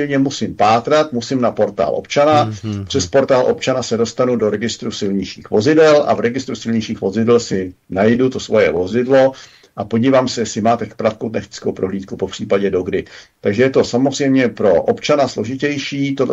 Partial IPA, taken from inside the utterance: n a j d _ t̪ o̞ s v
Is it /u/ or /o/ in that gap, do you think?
u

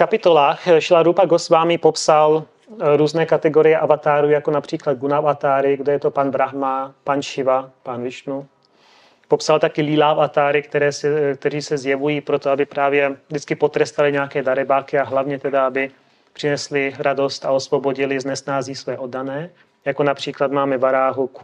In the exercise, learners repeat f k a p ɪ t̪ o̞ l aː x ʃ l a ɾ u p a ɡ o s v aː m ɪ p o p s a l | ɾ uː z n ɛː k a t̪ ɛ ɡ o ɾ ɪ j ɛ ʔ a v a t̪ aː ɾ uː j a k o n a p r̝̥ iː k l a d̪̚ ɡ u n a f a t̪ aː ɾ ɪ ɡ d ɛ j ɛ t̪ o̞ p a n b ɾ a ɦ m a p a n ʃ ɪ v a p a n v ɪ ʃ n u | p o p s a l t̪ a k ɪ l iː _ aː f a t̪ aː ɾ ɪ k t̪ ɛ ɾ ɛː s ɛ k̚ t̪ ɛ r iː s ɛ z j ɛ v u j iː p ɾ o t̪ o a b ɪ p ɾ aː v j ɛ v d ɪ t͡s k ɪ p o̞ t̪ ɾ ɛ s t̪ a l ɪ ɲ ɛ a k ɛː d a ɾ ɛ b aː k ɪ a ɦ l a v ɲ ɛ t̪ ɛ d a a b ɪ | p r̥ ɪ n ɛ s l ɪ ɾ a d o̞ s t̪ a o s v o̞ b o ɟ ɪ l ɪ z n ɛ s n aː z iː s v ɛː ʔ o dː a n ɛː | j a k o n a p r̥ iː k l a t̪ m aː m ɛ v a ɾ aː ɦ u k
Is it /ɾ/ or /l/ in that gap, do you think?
l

